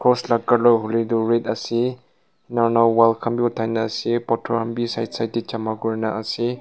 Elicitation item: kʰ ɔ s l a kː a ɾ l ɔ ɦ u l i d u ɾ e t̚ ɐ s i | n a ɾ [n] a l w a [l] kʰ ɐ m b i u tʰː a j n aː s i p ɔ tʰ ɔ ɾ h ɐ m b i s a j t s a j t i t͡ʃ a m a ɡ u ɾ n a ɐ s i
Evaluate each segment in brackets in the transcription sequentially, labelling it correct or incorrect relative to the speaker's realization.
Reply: correct, correct

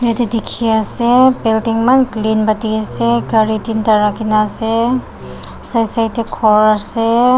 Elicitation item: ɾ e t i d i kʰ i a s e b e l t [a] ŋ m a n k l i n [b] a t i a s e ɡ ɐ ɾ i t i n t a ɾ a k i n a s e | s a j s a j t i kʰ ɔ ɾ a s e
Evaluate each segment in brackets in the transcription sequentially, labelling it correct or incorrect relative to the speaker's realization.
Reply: incorrect, correct

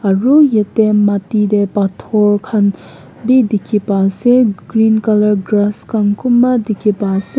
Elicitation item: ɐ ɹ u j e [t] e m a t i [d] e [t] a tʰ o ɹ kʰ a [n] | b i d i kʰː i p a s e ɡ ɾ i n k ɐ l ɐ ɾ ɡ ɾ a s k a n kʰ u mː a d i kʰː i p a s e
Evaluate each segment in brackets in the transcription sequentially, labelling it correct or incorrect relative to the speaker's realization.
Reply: correct, correct, incorrect, correct

